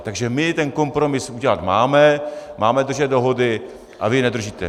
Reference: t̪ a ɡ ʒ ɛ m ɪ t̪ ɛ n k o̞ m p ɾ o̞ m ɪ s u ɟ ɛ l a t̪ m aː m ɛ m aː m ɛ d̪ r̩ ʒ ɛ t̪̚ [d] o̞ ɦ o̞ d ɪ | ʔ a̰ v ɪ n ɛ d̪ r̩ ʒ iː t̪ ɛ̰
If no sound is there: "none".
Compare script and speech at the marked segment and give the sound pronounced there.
d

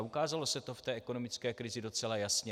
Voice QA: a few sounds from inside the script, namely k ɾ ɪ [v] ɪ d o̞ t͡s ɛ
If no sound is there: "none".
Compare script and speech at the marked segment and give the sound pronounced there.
z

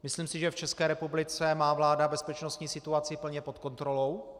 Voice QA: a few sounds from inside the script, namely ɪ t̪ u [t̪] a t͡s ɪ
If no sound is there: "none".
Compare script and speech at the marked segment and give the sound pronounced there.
none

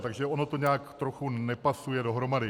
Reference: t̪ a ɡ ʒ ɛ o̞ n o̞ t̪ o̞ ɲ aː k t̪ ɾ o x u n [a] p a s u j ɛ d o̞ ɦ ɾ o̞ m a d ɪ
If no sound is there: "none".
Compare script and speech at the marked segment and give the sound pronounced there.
ɛ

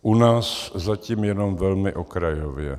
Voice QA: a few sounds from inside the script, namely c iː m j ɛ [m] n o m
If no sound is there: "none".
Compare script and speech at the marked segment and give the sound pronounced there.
none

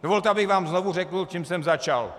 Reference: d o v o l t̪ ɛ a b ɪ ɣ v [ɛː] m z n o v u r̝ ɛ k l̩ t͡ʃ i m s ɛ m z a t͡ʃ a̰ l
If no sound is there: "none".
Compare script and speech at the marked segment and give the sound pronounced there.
aː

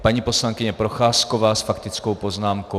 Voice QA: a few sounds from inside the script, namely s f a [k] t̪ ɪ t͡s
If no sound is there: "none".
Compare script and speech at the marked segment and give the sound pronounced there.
k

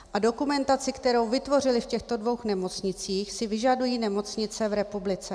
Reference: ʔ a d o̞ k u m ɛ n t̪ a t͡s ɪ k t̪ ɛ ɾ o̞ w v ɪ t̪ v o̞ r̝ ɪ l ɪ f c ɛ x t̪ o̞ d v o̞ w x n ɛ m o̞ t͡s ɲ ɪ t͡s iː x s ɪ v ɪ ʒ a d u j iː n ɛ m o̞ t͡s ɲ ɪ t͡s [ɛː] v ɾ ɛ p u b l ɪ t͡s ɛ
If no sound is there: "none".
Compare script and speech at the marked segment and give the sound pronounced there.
ɛ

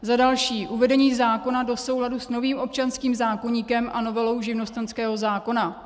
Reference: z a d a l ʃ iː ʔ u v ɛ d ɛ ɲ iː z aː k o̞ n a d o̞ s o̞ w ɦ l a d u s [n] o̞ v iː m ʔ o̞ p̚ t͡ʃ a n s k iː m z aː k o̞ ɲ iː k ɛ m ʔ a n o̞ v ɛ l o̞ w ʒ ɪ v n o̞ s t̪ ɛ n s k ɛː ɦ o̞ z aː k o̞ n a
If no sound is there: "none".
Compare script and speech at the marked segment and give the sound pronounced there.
n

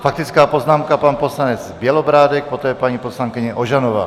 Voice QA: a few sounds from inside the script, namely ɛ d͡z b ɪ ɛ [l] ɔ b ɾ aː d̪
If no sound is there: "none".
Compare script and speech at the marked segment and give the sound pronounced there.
l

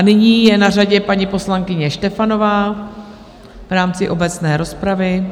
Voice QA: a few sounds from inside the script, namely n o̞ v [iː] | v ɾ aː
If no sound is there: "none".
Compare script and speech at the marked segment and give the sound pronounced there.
aː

